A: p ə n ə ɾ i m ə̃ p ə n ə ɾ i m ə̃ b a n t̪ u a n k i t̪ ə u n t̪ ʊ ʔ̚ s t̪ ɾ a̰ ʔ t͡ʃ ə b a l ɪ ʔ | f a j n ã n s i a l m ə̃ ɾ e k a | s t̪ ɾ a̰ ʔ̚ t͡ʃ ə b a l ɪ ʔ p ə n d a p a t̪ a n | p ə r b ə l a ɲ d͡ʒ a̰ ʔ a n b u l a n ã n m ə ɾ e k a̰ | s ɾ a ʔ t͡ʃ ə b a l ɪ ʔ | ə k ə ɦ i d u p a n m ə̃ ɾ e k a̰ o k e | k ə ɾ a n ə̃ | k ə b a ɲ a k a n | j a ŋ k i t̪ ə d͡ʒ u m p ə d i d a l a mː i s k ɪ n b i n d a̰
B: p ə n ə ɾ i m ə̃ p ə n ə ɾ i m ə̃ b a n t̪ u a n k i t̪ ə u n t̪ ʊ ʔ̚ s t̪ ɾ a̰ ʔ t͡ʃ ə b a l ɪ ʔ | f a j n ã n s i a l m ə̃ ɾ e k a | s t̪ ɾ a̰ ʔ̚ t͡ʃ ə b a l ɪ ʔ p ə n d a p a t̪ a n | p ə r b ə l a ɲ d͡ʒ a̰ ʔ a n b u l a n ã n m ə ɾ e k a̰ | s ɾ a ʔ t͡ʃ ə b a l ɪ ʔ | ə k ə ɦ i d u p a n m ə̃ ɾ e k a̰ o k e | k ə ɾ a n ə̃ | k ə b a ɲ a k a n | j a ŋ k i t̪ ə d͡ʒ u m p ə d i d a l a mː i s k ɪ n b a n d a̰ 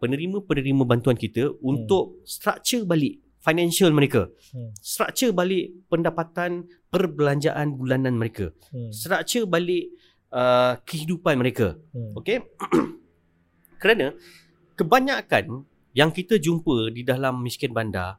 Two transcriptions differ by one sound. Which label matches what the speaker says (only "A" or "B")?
B